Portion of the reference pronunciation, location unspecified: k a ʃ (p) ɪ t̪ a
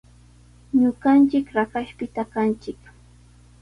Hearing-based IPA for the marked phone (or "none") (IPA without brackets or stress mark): p